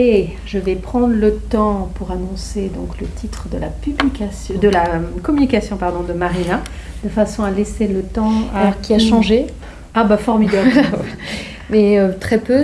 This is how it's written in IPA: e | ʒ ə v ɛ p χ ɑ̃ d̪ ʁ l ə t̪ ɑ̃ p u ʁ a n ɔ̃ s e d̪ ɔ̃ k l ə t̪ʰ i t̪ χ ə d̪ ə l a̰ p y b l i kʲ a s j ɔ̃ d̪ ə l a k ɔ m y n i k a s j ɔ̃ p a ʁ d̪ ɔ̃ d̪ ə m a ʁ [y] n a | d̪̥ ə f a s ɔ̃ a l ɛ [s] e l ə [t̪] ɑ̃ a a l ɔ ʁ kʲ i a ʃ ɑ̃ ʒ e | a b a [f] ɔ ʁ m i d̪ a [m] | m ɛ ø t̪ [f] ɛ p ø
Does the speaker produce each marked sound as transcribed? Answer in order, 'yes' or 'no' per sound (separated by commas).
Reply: no, yes, yes, yes, no, no